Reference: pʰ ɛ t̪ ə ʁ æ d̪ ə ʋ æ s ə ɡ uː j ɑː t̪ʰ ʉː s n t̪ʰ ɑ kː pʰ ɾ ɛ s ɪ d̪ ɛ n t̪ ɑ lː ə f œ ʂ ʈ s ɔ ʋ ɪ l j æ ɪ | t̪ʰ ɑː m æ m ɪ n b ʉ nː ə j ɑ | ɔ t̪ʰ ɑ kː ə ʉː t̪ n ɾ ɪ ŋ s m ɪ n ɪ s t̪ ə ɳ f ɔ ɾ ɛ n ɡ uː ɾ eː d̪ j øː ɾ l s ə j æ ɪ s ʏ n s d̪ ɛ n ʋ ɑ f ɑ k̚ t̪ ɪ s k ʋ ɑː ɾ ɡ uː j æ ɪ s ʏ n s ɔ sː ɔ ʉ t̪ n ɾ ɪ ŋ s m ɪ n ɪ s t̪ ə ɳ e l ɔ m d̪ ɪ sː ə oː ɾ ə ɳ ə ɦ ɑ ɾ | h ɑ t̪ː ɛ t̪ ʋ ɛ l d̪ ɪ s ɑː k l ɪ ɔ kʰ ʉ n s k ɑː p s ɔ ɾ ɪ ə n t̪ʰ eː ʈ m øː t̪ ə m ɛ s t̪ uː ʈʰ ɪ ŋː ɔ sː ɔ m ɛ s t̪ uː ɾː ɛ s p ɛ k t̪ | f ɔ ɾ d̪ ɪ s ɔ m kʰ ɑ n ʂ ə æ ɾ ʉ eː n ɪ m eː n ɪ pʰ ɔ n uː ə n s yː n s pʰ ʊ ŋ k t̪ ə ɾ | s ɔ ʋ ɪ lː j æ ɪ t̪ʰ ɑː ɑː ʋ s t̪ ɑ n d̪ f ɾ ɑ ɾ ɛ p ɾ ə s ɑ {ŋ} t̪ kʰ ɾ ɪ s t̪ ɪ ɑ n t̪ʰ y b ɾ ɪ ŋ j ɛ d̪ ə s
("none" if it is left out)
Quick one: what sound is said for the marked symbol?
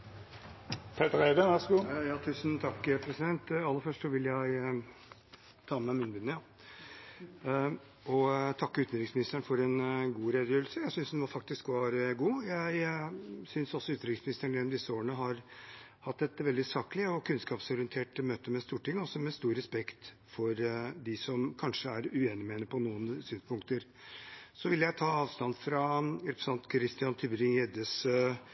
n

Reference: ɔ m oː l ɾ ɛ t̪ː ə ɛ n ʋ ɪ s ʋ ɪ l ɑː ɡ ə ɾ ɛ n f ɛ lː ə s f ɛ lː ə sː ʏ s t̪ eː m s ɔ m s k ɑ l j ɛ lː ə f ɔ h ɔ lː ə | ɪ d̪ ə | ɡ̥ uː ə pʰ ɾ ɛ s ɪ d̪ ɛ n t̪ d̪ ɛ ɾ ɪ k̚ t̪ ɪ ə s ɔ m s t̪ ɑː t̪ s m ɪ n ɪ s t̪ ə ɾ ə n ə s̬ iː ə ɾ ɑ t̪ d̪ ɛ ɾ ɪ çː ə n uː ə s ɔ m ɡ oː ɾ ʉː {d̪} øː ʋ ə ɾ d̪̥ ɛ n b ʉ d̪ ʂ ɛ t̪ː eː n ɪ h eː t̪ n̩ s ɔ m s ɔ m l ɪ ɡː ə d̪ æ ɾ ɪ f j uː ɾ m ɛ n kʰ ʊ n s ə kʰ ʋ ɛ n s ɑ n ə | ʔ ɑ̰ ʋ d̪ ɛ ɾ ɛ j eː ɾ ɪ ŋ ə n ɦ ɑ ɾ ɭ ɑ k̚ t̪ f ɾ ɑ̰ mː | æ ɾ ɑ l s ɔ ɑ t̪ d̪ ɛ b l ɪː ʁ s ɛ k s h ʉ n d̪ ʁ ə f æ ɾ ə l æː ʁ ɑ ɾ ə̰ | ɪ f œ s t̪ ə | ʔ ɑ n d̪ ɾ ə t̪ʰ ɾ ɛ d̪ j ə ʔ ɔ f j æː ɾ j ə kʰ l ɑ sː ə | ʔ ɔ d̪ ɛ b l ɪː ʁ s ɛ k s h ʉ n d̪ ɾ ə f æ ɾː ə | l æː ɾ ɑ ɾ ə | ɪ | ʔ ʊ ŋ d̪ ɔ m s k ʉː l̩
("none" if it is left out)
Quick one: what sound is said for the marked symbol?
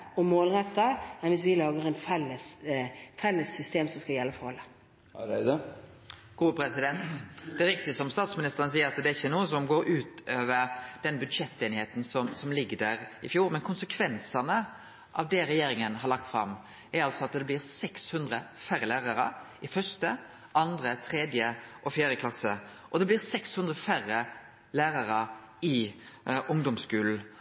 t̪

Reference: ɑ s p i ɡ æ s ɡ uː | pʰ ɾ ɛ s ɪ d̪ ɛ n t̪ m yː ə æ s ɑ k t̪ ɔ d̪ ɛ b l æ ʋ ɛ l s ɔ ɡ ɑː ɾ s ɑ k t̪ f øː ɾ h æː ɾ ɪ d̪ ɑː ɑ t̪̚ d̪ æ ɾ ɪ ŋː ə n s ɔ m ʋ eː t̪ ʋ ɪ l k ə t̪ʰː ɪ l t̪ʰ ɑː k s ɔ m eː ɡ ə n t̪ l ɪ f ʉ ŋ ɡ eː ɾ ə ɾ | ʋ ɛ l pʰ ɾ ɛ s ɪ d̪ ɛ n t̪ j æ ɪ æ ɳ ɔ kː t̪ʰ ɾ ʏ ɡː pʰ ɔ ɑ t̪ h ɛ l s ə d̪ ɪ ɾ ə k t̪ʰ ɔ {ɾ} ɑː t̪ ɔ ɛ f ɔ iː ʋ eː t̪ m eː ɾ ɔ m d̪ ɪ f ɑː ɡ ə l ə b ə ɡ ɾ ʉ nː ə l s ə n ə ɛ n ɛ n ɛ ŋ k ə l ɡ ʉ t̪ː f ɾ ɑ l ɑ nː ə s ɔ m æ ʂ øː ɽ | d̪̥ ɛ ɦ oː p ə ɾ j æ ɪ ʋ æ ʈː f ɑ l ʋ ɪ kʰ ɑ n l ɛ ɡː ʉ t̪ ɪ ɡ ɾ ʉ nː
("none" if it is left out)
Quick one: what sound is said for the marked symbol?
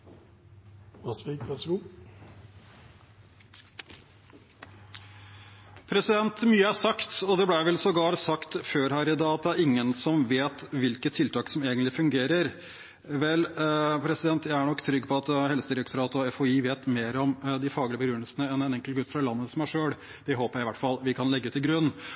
ɾ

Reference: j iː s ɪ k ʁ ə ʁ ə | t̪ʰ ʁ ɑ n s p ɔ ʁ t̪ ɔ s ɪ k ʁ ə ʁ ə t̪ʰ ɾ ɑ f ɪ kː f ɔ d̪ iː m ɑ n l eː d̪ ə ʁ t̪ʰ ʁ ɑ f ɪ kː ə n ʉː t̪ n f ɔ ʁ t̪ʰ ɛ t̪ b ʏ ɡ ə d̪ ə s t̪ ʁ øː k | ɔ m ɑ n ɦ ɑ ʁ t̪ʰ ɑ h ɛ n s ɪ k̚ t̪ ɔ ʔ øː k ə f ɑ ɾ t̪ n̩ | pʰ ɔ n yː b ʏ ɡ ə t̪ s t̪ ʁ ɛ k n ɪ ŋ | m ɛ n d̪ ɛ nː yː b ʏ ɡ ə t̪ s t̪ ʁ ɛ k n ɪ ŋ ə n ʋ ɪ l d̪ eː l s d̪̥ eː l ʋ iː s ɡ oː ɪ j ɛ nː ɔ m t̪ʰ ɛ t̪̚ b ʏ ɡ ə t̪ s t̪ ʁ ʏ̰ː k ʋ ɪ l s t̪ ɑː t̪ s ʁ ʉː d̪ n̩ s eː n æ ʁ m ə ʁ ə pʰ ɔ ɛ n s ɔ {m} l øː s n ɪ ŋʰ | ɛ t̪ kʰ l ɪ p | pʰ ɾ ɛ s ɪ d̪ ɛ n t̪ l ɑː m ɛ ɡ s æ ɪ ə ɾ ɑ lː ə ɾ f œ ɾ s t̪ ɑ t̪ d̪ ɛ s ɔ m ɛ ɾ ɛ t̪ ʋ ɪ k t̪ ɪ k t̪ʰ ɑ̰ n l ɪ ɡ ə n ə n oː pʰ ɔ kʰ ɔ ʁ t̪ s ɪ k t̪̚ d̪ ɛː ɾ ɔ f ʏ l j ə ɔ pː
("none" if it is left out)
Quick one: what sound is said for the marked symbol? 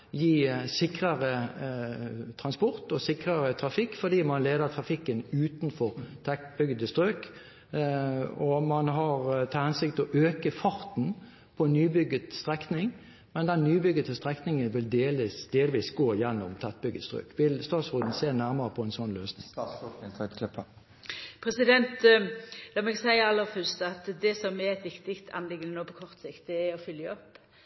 n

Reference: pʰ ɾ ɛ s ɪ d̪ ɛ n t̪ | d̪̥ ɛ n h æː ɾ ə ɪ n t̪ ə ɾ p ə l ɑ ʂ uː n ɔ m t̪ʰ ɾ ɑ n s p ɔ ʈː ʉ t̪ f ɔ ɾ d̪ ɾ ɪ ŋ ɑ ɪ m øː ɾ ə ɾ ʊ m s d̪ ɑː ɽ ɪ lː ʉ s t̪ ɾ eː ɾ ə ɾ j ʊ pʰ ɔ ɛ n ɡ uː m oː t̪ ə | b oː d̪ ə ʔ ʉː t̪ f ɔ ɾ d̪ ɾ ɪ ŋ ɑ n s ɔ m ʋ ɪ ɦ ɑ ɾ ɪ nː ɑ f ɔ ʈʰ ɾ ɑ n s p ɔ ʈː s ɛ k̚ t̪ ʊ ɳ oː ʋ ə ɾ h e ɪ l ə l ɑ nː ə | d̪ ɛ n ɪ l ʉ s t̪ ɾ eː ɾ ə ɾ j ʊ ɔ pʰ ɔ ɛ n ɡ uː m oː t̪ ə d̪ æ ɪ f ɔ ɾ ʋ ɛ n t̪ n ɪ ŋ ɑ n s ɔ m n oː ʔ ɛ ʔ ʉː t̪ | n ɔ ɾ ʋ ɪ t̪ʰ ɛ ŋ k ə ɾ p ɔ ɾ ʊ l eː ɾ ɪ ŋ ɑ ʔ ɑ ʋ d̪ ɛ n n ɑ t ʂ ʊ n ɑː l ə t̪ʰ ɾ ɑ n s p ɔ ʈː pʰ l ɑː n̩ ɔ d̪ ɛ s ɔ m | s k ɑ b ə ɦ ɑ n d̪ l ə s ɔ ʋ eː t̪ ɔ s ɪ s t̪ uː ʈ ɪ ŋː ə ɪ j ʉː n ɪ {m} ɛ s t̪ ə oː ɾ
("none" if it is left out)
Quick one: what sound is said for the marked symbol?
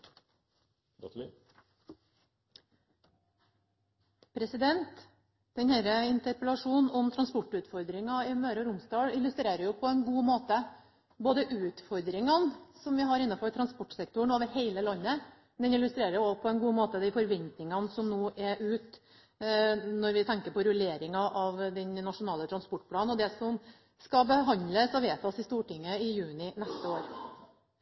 n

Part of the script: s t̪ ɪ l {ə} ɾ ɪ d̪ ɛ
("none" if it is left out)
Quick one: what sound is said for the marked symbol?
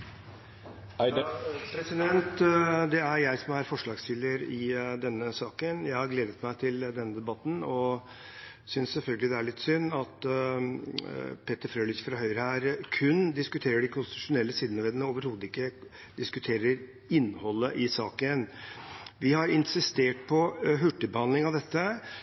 ə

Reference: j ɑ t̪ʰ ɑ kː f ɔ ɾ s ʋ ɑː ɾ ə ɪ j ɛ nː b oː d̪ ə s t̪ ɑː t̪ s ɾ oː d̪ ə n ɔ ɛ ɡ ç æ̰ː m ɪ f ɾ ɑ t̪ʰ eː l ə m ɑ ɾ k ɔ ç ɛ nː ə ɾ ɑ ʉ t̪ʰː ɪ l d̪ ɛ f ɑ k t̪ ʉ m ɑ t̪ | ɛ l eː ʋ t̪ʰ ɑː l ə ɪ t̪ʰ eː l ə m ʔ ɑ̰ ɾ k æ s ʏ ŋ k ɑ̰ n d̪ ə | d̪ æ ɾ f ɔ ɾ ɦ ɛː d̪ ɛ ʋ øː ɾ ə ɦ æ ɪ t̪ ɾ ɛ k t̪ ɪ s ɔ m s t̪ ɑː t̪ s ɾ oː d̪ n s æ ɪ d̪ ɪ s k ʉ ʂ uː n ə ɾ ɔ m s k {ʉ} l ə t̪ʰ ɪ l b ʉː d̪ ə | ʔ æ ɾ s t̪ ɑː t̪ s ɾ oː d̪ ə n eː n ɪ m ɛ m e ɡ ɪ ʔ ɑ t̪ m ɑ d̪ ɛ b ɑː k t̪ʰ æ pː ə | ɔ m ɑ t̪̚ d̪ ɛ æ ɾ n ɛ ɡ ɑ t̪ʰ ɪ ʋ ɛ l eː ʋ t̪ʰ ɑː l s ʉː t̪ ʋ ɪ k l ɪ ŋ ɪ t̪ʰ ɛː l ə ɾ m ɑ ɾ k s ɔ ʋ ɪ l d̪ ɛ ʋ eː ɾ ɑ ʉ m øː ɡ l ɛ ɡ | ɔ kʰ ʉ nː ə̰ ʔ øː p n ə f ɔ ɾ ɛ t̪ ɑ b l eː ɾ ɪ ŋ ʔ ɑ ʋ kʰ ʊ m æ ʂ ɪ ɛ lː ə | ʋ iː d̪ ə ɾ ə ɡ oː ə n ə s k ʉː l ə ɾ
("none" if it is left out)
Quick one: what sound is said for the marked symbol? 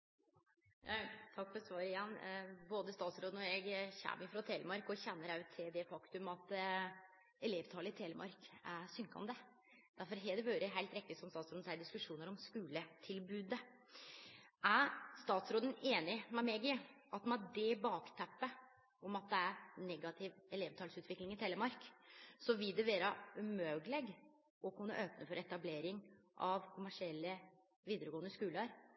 ʉː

